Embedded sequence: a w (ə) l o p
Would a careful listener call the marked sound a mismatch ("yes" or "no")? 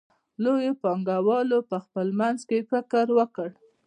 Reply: yes